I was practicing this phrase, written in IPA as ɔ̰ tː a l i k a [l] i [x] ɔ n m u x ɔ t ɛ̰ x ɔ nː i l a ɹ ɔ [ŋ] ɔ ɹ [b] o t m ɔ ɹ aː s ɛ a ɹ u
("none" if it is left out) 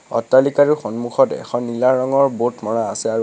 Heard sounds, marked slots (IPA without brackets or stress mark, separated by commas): ɹ, x, ŋ, b